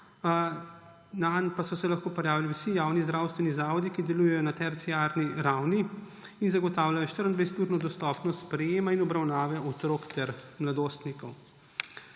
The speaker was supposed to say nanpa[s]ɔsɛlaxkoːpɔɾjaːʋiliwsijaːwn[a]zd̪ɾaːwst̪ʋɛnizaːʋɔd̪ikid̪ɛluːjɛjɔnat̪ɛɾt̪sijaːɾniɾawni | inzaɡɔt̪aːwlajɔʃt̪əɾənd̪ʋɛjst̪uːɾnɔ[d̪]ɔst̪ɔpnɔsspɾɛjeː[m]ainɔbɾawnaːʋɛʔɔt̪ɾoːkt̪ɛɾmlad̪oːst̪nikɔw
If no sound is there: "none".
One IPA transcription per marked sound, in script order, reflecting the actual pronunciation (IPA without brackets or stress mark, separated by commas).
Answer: s, i, d̪, m